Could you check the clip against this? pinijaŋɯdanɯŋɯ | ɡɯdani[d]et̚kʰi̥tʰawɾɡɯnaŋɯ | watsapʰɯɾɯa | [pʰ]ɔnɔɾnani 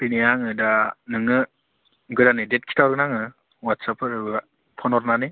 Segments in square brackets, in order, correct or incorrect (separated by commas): correct, correct